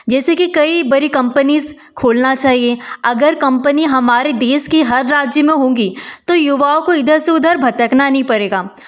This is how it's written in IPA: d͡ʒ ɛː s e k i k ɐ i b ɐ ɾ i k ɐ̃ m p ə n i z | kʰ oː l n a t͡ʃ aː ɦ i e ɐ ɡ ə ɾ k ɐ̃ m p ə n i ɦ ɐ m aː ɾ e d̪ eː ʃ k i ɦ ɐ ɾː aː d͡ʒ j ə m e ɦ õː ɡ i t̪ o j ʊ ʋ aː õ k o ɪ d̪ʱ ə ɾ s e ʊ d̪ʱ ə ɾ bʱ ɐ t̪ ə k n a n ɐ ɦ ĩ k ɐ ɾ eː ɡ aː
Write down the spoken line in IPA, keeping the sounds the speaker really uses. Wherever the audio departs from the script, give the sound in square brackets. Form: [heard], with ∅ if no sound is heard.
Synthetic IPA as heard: d͡ʒ ɛː s e k i k ɐ i b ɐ ɾ i k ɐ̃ m p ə n i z | kʰ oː l n a t͡ʃ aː ɦ i e ɐ ɡ ə ɾ k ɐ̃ m p ə n i ɦ ɐ m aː ɾ e d̪ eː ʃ k i ɦ ɐ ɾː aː d͡ʒ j ə m [ẽ] ɦ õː ɡ i t̪ o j ʊ ʋ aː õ k o ɪ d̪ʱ ə ɾ s e ʊ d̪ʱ ə ɾ bʱ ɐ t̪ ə k n a n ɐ ɦ ĩ [p] ɐ ɾ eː ɡ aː